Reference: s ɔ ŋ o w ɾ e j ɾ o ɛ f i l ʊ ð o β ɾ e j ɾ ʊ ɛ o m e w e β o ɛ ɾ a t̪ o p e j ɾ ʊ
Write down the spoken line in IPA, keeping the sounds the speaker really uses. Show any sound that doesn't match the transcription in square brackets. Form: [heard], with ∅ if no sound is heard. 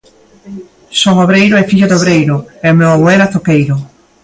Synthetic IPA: s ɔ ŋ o [β] ɾ e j ɾ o ɛ f i [ʎ] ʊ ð o β ɾ e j ɾ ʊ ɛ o m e w [a] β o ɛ ɾ a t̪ o [k] e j ɾ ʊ